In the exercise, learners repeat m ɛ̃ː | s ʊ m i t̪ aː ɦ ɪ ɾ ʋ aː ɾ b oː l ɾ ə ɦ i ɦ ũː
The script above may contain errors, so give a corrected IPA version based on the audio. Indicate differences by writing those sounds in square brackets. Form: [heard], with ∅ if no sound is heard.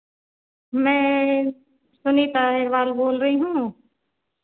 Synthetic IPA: m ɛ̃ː | s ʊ [n] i t̪ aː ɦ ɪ ɾ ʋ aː [l] b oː l ɾ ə ɦ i ɦ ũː